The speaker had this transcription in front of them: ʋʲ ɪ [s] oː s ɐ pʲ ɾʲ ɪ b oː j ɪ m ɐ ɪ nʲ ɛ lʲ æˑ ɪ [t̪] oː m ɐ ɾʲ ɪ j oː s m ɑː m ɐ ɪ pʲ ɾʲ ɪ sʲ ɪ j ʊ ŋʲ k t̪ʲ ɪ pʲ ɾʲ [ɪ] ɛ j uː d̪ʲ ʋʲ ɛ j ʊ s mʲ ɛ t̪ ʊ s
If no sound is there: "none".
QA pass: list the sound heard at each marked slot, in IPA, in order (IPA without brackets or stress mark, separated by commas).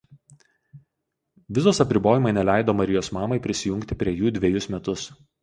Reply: z, d̪, i